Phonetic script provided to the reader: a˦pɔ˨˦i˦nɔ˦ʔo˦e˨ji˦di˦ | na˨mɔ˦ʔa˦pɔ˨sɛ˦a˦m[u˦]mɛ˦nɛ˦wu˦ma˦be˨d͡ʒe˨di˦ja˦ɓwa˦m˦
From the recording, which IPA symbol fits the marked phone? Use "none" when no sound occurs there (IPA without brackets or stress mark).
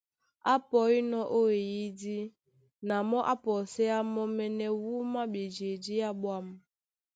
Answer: ɔ˦